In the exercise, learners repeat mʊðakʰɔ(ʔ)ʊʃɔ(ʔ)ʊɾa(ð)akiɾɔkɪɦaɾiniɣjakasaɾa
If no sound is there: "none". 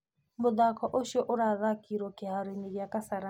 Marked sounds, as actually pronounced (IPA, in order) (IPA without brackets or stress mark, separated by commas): ʔ, ʔ, ð